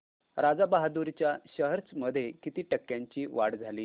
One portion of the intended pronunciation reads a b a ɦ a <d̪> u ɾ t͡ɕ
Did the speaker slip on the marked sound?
no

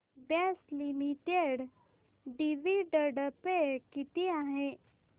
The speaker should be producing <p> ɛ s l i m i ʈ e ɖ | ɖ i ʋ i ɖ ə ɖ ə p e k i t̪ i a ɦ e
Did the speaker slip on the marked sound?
yes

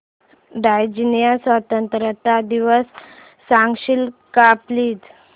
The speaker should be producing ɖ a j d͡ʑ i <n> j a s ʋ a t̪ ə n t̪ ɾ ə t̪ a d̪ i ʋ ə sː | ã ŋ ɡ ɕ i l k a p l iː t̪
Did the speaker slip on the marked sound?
no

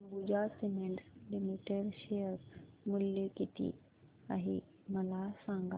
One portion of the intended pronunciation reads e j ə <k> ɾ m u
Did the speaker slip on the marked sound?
yes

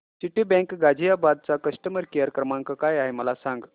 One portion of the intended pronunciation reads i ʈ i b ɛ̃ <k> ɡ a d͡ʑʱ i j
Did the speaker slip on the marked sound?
no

